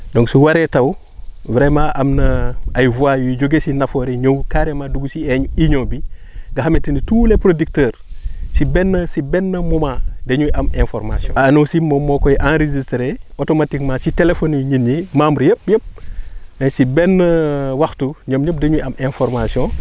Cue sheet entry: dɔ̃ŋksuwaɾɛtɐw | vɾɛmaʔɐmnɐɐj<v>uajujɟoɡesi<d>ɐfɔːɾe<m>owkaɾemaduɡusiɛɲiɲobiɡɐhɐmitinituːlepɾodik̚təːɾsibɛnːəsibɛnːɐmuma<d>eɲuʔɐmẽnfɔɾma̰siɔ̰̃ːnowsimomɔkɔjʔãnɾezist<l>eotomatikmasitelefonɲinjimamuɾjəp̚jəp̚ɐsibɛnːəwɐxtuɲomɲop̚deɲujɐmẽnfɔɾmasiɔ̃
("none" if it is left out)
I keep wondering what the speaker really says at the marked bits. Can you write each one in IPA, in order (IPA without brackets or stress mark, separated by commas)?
v, n, ɲ, d, ɾ